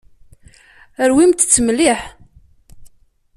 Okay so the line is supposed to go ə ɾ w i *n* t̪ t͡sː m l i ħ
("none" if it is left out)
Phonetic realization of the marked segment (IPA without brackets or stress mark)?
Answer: m